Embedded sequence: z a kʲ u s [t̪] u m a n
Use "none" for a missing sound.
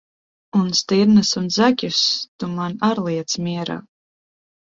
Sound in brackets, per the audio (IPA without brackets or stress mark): t̪